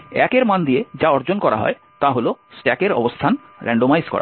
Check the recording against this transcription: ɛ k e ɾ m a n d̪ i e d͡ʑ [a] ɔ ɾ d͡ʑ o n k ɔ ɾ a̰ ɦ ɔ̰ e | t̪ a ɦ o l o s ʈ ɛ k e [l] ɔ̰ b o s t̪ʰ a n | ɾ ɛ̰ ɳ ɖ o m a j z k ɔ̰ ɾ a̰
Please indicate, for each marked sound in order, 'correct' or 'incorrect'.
correct, incorrect: ɾ

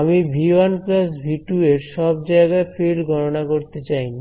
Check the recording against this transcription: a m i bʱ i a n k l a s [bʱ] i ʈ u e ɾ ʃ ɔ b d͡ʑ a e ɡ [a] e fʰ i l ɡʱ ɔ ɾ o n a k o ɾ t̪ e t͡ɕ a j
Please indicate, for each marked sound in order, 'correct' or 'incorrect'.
correct, correct

